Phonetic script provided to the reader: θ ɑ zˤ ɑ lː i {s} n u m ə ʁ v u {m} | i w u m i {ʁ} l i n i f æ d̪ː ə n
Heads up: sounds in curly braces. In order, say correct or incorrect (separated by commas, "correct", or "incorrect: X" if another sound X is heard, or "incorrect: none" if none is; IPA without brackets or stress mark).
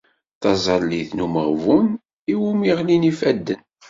incorrect: θ, incorrect: n, correct